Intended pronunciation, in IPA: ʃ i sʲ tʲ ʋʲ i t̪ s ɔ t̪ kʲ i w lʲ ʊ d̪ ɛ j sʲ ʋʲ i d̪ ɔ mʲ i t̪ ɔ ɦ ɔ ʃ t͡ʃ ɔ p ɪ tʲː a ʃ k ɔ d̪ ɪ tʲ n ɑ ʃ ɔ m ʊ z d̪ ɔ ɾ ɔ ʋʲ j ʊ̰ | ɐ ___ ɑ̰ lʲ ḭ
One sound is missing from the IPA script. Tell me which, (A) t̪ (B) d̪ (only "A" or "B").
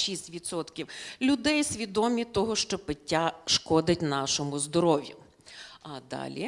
B